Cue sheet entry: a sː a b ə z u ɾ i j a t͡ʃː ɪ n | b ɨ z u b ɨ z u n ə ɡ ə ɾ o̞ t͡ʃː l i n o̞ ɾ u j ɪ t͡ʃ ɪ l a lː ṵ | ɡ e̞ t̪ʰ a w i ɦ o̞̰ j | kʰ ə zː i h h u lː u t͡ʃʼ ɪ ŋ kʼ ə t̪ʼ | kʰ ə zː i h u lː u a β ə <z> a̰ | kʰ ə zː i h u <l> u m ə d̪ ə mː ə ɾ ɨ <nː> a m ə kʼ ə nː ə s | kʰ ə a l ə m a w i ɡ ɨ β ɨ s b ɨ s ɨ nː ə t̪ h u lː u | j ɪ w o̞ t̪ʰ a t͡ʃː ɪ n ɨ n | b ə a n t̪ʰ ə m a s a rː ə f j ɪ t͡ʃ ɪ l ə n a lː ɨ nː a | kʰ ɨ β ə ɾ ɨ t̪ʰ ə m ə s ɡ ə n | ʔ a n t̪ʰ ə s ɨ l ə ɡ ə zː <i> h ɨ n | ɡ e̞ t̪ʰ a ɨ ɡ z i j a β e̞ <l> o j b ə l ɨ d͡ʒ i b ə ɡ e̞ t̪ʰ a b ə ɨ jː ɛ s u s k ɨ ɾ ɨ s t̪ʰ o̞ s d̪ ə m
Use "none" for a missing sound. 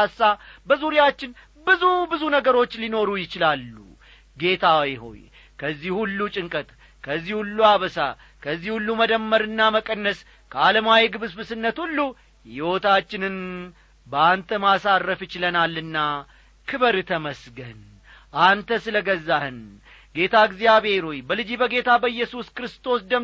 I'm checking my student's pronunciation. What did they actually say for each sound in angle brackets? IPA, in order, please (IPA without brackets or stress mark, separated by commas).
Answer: s, lː, nː, a, ɾ